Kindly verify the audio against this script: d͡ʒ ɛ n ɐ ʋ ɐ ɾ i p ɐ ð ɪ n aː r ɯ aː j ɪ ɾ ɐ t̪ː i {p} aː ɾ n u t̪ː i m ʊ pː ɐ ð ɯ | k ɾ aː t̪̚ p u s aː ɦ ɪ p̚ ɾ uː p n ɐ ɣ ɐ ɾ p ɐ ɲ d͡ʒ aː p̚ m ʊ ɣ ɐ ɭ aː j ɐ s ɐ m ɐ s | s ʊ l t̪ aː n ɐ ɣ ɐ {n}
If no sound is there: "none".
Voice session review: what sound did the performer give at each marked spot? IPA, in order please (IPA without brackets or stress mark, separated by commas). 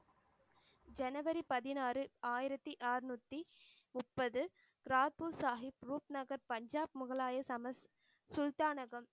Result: ʔ, m